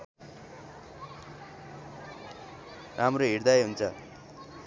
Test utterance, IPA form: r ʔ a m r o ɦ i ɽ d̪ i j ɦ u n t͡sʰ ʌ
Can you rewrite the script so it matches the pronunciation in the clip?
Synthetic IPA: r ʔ a m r o ɦ i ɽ d̪ a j ɦ u n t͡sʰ ʌ